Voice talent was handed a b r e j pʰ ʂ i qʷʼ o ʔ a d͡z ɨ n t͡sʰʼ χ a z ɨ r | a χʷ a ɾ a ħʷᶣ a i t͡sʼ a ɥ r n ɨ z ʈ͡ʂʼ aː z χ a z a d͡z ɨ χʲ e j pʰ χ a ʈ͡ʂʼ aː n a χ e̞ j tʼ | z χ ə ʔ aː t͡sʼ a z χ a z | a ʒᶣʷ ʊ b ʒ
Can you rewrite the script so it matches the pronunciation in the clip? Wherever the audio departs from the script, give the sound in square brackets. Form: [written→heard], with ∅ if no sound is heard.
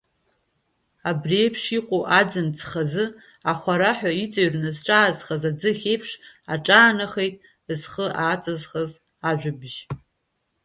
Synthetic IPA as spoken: a b r e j pʰ ʂ i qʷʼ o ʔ a d͡z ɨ n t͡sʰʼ χ a z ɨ [r→∅] | a χʷ a ɾ a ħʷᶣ a i t͡sʼ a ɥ r n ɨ z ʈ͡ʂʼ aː z χ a z a d͡z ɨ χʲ e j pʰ [χ→ʂ] a ʈ͡ʂʼ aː n a χ e̞ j tʼ | z χ ə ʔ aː t͡sʼ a z χ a z | a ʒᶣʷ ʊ b ʒ

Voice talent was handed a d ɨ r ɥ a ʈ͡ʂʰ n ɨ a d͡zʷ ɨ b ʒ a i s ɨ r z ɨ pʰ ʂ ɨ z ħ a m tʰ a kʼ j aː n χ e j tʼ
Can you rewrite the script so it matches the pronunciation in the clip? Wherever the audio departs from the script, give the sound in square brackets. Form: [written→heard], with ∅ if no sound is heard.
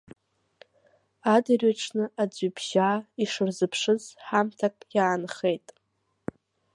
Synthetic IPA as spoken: a d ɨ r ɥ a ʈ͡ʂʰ n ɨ a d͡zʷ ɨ b ʒ a i [s→ʂ] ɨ r z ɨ pʰ ʂ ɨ z ħ a m tʰ a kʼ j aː n χ e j tʼ

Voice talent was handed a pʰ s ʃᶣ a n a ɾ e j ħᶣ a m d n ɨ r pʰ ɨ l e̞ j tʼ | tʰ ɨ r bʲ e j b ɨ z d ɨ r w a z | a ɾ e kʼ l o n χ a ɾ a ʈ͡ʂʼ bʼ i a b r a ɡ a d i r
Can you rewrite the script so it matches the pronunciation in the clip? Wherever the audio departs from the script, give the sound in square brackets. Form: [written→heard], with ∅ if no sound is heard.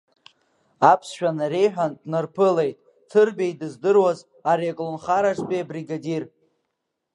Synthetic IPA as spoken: a pʰ s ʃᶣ a n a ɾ e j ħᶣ a [m→n] d n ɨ r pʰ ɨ l e̞ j tʼ | tʰ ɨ r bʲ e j [b→d] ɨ z d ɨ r w a z | a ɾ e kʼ l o n χ a ɾ a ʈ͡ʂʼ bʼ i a b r [a→i] ɡ a d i r

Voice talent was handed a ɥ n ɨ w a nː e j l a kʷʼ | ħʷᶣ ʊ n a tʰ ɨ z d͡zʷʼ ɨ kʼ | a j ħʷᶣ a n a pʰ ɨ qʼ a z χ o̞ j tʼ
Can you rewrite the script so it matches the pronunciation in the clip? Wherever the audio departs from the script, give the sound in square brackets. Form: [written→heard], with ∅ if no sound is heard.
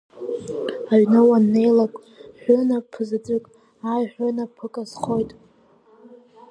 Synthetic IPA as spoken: a ɥ n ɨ w a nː e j l a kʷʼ | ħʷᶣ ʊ n a [tʰ→pʰ] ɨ z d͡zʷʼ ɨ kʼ | a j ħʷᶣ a n a pʰ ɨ [qʼ→kʼ] a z χ o̞ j tʼ

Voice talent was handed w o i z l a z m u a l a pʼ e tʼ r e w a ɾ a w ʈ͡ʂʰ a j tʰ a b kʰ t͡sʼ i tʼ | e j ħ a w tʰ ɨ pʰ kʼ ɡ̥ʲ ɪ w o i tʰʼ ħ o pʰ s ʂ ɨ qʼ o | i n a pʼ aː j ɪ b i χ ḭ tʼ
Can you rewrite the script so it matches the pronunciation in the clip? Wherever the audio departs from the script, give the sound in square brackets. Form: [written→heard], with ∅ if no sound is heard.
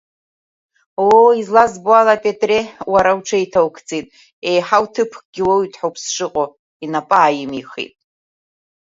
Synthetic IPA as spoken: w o i z l a z [m→b] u a l a pʼ e tʼ r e w a ɾ a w ʈ͡ʂʰ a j tʰ a [b→w] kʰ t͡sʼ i tʼ | e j ħ a w tʰ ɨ pʰ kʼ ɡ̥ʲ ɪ w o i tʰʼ ħ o pʰ s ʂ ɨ qʼ o | i n a pʼ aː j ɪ [b→m] i χ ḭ tʼ

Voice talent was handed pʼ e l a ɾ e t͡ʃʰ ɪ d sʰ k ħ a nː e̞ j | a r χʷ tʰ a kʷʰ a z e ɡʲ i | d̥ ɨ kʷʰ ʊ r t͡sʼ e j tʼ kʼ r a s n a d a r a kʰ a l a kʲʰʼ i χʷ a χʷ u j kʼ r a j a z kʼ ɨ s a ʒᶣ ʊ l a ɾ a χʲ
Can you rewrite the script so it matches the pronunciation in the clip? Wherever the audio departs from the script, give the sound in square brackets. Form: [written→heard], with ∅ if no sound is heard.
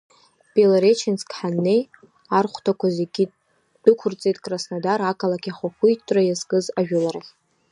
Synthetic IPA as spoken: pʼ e l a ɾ e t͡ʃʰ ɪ [d→n] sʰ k ħ a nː e̞ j | a r χʷ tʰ a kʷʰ a z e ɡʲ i | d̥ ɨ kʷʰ ʊ r t͡sʼ e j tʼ kʼ r a s n a d a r a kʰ a l a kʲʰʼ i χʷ a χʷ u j [kʼ→tʼ] r a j a z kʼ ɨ [s→z] a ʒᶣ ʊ l a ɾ a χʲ

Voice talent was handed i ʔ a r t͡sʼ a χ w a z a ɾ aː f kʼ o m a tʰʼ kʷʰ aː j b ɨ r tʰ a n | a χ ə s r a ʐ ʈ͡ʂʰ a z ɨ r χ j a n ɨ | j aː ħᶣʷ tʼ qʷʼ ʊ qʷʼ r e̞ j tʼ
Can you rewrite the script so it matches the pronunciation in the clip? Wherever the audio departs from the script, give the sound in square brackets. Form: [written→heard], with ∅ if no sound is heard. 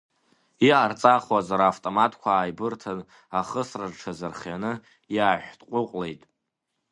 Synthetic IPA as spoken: i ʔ a r t͡sʼ a χ w a z a ɾ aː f [kʼ→tʼ] o m a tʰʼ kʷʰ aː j b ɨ r tʰ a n | a χ ə s r a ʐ ʈ͡ʂʰ a z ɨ r χ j a n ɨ | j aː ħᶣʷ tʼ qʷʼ ʊ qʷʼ [r→l] e̞ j tʼ

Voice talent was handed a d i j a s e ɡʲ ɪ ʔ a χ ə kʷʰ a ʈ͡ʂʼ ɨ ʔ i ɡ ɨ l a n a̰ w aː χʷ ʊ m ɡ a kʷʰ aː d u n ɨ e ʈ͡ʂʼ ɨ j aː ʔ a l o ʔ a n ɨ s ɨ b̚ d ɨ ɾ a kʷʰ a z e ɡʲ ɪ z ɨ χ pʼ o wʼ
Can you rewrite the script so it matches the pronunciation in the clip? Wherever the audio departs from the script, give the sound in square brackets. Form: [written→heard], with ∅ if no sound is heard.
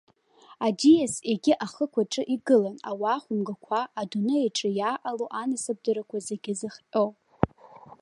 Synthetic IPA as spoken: a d i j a s e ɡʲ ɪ ʔ a χ ə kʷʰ a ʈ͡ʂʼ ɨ ʔ i ɡ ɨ l a n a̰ w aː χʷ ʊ m ɡ a kʷʰ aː d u n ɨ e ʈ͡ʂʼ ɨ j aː ʔ a l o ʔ a n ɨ s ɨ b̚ d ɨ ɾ a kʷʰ a z e ɡʲ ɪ z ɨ χ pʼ o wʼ

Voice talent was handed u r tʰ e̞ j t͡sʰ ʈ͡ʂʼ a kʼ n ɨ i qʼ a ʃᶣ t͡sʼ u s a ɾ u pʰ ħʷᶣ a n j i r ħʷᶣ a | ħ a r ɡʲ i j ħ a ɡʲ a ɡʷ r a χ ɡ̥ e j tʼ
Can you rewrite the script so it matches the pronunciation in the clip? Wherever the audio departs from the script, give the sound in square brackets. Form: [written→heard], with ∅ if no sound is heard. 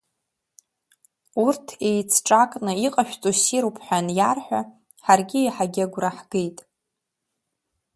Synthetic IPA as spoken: u r tʰ e̞ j t͡sʰ ʈ͡ʂʼ a kʼ n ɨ i qʼ a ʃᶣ t͡sʼ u s [a→i] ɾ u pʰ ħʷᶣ a n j [i→a] r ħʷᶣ a | ħ a r ɡʲ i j ħ a ɡʲ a ɡʷ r a [χ→ħ] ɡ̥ e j tʼ

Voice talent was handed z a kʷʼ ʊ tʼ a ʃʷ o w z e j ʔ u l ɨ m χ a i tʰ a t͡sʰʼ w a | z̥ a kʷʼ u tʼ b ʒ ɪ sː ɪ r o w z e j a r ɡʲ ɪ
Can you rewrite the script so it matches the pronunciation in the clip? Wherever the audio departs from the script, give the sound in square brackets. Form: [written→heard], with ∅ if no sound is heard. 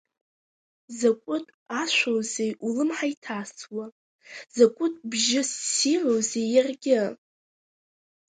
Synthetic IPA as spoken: z a kʷʼ ʊ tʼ a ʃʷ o w z e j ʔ u l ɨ m [χ→ħ] a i tʰ a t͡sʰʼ w a | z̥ a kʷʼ [u→ʊ] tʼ b ʒ ɪ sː [ɪ→i] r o w z e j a r ɡʲ ɪ

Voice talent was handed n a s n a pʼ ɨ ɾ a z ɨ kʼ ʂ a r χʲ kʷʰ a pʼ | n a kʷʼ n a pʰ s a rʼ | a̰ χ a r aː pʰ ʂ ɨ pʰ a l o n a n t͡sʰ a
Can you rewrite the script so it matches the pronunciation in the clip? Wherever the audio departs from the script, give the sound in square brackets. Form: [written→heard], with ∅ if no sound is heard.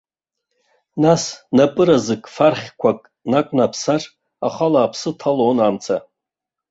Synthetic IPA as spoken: n a s n a pʼ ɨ ɾ a z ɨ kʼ [ʂ→f] a r χʲ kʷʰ a [pʼ→kʼ] | n a kʷʼ n a pʰ s a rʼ | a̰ χ a [r→l] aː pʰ [ʂ→s] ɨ [pʰ→tʰ] a l o n a [n→m] t͡sʰ a

